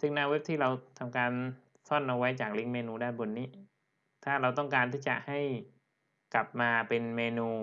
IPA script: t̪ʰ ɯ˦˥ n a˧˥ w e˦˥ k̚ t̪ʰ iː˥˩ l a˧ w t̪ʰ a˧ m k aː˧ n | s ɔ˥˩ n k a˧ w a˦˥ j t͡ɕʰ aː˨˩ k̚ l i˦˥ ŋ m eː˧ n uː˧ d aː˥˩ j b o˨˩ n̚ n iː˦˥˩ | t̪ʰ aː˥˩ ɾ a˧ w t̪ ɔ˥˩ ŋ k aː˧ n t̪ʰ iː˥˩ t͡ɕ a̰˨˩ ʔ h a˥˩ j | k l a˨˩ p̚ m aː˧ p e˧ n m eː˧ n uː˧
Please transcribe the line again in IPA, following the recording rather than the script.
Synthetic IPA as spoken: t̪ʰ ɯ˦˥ n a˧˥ w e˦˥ p̚ t̪ʰ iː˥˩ ɾ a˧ w t̪ʰ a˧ m k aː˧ n | s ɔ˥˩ n ʔ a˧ w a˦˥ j t͡ɕ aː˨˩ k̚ l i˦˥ ŋ m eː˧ n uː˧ d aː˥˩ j b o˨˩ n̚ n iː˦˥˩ | t̪ʰ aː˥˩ ɾ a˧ w t̪ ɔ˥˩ ŋ k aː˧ n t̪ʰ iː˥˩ t͡ɕ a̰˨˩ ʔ h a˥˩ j | k l a˨˩ p̚ m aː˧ p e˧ n m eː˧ n uː˧

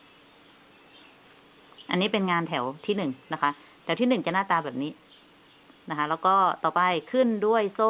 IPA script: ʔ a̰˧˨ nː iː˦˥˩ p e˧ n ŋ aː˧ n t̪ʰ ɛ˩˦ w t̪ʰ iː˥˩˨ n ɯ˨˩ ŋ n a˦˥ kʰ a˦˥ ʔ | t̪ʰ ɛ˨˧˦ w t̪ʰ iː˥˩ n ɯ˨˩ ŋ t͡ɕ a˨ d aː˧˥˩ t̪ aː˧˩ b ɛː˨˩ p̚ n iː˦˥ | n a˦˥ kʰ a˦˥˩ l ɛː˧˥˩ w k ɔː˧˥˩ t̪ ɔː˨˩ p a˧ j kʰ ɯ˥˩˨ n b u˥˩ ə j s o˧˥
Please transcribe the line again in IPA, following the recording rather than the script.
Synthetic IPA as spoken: ʔ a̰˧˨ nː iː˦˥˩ p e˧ n ŋ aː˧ n t̪ʰ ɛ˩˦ w t̪ʰ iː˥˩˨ n ɯ˨˩ ŋ n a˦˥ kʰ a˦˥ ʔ | t̪ʰ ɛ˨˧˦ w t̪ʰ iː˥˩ n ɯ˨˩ ŋ t͡ɕ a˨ n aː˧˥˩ t̪ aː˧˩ b ɛː˨˩ p̚ n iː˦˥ | n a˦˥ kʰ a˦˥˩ l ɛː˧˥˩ w k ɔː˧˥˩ t̪ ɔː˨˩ p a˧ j kʰ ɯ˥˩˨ n d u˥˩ ə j s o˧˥

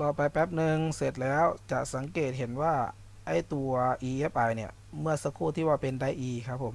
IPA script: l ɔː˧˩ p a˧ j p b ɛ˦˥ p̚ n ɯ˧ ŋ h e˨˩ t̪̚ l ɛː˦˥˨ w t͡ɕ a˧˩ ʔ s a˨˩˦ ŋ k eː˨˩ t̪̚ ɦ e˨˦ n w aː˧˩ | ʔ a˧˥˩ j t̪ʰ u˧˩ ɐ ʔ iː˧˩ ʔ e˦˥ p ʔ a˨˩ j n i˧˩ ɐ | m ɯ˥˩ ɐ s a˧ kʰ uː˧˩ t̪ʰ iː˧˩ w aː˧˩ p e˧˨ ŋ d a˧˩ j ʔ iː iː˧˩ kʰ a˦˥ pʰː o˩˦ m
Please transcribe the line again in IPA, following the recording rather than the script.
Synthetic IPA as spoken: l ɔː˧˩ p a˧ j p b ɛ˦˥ p̚ n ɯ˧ ŋ s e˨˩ t̪̚ l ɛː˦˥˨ w t͡ɕ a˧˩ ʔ s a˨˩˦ ŋ k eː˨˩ t̪̚ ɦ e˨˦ n w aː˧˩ | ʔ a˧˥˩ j t̪ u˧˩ ɐ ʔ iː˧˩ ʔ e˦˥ p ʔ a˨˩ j n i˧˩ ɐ | m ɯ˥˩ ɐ s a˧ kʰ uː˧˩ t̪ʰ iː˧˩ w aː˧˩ p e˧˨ n d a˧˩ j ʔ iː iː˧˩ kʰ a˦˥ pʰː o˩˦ m

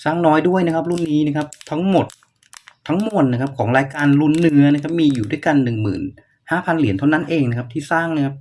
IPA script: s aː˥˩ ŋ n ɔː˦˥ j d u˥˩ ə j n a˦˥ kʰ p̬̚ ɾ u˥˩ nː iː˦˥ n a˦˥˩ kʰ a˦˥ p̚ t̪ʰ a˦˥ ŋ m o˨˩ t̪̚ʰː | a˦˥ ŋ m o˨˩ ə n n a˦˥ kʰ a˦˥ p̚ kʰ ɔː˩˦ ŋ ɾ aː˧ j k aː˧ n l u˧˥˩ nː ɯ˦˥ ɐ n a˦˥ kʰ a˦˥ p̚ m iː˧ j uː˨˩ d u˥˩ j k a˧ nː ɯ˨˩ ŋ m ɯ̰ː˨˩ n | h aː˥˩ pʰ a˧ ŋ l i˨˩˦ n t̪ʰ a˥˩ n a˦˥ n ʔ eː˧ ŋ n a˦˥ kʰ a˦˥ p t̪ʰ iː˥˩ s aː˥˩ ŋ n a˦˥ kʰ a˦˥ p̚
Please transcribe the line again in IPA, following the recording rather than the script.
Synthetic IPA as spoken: s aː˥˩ ŋ n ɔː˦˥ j d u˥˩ ə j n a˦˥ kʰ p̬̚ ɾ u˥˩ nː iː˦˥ n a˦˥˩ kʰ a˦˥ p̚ t̪ʰ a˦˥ ŋ m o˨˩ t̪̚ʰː | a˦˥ ŋ m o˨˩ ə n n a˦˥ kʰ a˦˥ p̚ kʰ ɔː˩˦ ŋ ɾ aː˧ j k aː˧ n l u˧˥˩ nː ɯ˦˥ ɐ n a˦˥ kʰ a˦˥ p̚ m iː˧ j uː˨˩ d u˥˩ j k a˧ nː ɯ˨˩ ŋ m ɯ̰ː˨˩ n | h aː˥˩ pʰ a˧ n l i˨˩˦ n t̪ʰ a˥˩ n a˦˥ n ʔ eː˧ ŋ n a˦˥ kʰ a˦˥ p t̪ʰ iː˥˩ s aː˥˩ ŋ n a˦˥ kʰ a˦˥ p̚

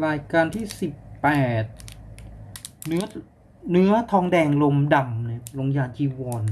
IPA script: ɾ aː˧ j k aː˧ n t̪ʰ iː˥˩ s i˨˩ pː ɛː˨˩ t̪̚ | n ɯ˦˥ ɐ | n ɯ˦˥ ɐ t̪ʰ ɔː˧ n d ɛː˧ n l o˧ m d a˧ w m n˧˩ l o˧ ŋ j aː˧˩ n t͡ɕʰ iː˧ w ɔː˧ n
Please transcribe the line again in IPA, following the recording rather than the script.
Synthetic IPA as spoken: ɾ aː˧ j k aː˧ n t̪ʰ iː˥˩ s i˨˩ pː ɛː˨˩ t̪̚ | n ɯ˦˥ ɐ | n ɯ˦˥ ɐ t̪ʰ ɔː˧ ŋ d ɛː˧ ŋ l o˧ m d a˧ m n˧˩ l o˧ ŋ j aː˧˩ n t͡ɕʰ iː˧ w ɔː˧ n

